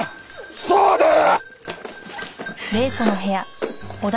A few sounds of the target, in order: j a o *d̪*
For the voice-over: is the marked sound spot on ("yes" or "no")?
yes